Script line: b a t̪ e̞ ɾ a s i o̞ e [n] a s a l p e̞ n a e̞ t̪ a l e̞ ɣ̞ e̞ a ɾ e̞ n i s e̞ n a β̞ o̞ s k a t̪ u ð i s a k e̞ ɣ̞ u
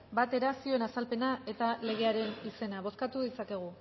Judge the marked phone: correct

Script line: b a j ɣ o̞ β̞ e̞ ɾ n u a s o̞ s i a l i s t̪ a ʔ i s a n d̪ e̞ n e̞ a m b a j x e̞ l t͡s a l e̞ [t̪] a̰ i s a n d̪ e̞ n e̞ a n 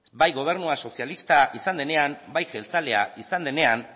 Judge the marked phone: incorrect: none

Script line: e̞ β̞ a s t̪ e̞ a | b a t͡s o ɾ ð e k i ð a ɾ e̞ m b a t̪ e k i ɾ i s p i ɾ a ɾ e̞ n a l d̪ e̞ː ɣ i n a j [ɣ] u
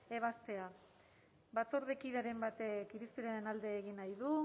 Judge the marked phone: incorrect: ð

